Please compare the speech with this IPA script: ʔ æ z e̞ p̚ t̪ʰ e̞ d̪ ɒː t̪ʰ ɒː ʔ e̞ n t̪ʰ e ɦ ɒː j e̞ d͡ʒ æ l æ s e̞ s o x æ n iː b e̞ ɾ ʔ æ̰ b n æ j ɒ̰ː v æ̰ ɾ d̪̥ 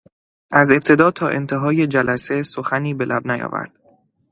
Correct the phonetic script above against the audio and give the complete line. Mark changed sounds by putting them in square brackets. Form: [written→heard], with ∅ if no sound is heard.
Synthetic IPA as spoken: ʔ æ z e̞ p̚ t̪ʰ e̞ d̪ ɒː t̪ʰ ɒː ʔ e̞ n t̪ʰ e ɦ ɒː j e̞ d͡ʒ æ l æ s e̞ s o x æ n iː b e̞ [ɾ→l] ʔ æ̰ b n æ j ɒ̰ː v æ̰ ɾ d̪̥